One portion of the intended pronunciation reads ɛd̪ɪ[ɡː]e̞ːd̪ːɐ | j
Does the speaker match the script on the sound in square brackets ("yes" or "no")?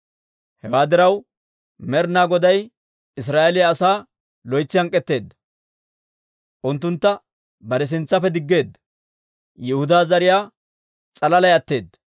yes